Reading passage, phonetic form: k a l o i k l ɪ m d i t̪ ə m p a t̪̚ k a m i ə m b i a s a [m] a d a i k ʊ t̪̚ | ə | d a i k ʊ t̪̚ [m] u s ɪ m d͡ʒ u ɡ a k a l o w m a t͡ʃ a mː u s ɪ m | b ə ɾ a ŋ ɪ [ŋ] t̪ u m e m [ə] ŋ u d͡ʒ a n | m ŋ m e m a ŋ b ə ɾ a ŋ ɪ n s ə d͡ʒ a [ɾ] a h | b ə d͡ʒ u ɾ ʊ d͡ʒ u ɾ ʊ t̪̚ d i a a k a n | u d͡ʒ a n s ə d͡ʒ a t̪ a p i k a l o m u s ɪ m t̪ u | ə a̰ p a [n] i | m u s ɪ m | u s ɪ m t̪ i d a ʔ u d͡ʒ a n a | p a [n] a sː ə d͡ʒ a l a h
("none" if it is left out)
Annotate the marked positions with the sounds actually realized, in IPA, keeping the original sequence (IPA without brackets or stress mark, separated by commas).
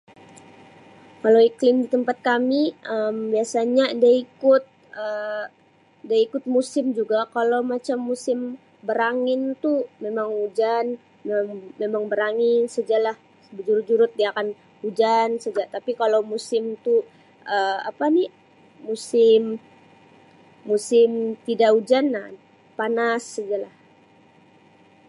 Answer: ɲ, m, n, a, l, n, n